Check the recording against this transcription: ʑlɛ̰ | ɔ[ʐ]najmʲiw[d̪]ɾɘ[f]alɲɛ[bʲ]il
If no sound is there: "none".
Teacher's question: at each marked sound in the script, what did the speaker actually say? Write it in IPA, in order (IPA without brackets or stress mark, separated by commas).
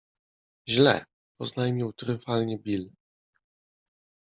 z, t̪, f, bʲ